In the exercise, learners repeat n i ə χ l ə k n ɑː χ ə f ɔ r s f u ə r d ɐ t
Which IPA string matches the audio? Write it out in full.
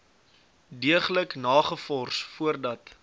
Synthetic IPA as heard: d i ə χ l ə k n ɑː χ ə f ɔ r s f u ə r d ɐ t